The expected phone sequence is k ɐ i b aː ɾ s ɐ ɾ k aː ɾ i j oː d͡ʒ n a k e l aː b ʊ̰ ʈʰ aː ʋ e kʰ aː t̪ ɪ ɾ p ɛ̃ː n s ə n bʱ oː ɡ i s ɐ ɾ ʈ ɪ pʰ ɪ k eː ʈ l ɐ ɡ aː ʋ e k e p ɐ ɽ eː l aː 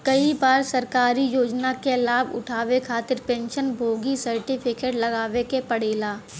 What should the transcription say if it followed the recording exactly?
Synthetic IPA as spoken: k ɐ i b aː ɾ s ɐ ɾ k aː ɾ i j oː d͡ʒ n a k e l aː b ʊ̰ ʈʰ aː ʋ e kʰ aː t̪ ɪ ɾ p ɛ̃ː n ʃ ə n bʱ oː ɡ i s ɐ ɾ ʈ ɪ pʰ ɪ k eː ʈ l ɐ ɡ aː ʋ e k e p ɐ ɽ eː l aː